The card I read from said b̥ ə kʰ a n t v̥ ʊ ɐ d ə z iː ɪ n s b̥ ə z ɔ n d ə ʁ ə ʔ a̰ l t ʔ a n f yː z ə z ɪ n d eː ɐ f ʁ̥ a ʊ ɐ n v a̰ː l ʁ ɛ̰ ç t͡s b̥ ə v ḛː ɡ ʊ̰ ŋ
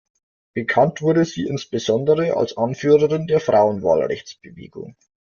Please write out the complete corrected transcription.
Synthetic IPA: b̥ ə kʰ a n t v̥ ʊ ɐ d ə z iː ɪ n s b̥ ə z ɔ n d ə ʁ ə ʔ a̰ l s ʔ a n f yː ʁ ə ʁ ɪ n d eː ɐ f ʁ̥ a ʊ ə n v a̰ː l ʁ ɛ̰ ç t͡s b̥ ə v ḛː ɡ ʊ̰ ŋ